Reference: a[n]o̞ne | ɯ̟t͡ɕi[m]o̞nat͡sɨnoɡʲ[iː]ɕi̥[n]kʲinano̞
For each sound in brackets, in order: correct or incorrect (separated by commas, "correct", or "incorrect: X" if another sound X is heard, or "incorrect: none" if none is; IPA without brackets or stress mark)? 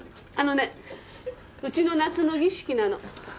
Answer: correct, incorrect: n, incorrect: i, incorrect: none